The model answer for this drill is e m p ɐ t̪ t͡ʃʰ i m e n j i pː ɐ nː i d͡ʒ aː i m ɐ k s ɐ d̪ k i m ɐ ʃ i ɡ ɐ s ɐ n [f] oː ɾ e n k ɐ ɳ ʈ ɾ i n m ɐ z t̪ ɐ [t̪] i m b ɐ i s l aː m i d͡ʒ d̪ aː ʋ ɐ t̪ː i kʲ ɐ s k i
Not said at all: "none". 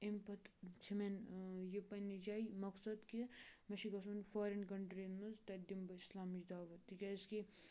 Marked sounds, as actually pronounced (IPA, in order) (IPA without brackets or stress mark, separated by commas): f, d̪